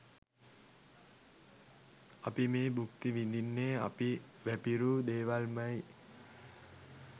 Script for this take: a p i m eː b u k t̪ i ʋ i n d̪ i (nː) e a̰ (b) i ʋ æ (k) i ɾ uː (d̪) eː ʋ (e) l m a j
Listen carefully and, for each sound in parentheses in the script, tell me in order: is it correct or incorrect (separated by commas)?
correct, incorrect, incorrect, correct, incorrect